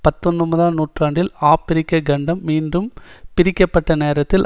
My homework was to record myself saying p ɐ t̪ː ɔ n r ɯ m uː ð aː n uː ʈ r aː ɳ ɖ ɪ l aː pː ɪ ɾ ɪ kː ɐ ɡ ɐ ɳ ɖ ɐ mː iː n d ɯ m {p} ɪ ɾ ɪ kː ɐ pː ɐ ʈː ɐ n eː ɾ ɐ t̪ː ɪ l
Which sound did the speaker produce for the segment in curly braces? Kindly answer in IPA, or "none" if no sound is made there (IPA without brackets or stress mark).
p